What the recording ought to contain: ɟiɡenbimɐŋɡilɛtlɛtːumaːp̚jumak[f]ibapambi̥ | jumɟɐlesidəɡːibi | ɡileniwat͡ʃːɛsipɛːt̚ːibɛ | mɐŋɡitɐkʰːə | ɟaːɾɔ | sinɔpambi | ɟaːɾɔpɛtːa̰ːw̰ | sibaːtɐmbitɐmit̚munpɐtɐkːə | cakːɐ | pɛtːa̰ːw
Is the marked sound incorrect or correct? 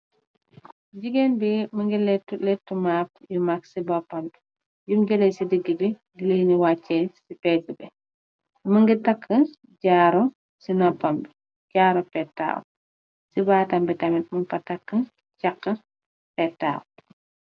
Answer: incorrect